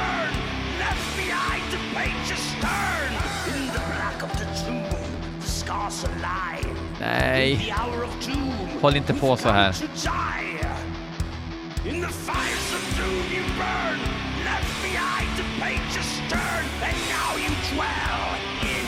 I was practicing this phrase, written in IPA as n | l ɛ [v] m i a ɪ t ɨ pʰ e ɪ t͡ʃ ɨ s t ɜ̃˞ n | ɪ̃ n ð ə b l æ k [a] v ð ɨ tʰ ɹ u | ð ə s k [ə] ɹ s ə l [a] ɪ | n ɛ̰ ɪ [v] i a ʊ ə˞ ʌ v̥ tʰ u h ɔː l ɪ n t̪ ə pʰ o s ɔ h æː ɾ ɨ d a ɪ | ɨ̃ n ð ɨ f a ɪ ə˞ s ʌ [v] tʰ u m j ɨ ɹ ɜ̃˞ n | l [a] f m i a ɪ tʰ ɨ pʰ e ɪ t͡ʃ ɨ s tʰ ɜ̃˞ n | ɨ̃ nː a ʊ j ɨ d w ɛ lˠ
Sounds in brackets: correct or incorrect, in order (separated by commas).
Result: incorrect, incorrect, incorrect, correct, incorrect, correct, incorrect